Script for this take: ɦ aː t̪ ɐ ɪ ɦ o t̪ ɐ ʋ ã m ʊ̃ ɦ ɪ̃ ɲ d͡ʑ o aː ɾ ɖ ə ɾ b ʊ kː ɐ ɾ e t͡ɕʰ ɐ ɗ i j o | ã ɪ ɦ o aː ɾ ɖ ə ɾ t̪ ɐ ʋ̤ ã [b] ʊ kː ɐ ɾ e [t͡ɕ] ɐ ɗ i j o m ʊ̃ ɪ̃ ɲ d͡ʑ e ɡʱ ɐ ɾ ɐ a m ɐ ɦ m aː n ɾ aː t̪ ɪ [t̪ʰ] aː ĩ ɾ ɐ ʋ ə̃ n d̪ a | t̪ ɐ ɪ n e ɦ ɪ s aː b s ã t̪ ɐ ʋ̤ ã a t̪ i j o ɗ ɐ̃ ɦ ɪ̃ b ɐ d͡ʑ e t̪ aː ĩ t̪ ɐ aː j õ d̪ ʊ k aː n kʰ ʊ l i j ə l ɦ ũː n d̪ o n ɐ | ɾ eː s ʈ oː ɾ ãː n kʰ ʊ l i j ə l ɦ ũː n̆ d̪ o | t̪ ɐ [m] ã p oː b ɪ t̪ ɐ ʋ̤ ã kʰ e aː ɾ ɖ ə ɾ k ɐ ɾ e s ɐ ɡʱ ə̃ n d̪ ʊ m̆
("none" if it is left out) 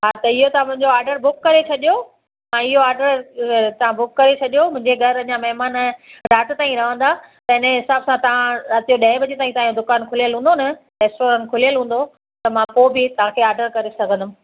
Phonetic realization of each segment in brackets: b, t͡ɕʰ, t̪, m

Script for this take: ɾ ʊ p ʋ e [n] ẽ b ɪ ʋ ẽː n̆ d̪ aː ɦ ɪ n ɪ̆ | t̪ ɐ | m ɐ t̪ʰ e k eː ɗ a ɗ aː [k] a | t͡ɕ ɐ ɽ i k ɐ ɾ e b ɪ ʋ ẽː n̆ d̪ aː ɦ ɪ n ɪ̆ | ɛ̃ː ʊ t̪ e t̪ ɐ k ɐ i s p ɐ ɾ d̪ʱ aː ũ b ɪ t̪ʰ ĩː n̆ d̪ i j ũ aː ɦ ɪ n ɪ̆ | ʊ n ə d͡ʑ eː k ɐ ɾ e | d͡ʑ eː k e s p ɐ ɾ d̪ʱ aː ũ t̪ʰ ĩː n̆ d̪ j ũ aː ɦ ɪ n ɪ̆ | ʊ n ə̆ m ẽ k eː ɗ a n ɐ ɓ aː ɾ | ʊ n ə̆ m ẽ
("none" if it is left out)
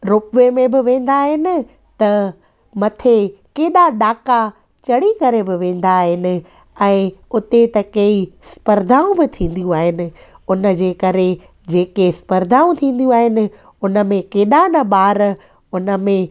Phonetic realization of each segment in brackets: m, k

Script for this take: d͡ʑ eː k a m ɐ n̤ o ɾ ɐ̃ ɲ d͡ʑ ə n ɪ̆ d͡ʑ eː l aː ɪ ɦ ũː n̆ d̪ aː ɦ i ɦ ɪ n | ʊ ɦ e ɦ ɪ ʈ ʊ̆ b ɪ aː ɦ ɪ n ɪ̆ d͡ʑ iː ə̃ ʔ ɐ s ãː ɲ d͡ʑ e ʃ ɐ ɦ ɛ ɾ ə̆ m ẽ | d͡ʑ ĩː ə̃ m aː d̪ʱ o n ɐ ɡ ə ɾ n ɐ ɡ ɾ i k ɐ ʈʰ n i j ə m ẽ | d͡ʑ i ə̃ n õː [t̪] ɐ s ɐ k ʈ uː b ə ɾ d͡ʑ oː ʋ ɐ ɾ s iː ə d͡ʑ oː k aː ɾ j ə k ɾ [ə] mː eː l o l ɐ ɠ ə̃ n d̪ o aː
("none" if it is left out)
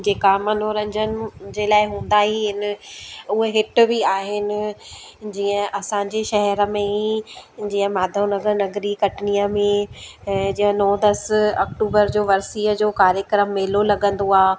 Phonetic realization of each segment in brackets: d̪, ə

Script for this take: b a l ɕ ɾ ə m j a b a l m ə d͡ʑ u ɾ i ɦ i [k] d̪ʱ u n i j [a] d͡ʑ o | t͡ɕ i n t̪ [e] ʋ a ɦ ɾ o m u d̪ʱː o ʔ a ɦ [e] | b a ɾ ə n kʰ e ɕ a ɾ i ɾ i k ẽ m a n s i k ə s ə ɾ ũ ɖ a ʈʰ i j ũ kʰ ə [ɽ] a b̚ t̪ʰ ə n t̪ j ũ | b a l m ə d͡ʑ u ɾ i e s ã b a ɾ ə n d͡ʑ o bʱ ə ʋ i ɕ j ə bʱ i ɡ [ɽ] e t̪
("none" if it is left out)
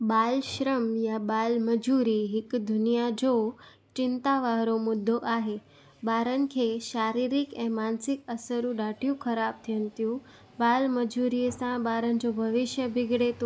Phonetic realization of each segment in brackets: k, a, a, e, ɾ, ɽ

